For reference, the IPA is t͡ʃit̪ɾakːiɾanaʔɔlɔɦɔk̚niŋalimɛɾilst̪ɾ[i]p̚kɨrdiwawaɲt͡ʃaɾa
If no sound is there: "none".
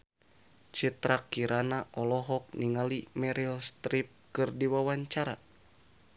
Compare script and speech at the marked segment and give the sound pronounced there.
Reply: i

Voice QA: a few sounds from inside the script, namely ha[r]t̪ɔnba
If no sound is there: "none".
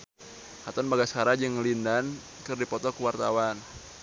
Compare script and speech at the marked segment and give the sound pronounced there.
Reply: none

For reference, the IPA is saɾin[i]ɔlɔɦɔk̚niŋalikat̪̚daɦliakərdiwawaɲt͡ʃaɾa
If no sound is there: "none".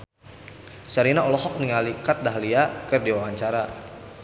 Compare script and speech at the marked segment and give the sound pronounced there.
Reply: a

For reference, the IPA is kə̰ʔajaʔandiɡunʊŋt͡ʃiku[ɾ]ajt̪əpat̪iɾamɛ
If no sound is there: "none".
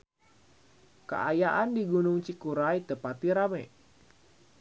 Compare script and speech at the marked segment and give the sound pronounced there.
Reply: ɾ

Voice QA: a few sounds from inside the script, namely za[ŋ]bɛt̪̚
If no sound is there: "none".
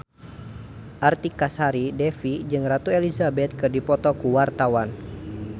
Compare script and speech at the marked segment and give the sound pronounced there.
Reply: none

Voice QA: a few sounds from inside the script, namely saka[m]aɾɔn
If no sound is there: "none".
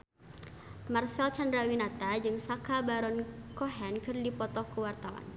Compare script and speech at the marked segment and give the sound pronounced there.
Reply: b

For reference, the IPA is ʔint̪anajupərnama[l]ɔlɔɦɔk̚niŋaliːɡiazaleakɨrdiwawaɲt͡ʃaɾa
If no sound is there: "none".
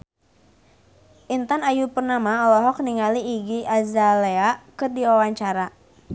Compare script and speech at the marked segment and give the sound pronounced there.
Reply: none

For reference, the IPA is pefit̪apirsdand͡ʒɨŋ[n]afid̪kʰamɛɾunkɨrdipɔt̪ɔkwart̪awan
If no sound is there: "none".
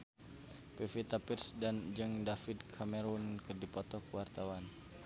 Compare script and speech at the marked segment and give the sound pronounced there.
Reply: d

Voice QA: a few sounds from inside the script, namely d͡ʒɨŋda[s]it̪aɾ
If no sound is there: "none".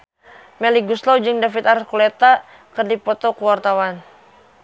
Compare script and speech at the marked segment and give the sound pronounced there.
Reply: f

